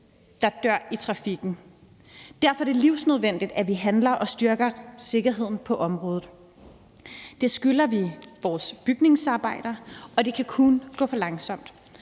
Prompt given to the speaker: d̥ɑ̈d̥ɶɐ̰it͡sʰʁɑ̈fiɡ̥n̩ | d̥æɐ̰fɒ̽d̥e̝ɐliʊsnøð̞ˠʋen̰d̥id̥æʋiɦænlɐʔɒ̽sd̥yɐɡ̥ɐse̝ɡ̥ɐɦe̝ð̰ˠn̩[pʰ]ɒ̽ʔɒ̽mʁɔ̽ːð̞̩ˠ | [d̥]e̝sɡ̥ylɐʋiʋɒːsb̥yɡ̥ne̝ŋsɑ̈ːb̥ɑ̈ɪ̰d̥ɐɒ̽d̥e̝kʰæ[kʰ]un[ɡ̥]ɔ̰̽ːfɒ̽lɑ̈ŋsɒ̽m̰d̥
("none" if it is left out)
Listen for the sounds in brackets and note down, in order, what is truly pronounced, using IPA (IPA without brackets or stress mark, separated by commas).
pʰ, d̥, kʰ, ɡ̥